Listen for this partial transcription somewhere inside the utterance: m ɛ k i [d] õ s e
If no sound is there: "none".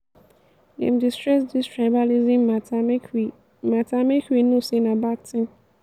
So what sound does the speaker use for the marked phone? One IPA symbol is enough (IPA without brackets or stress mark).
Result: n